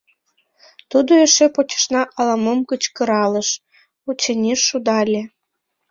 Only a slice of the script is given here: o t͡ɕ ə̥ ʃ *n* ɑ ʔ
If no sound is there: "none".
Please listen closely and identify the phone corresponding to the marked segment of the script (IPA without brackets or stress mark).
n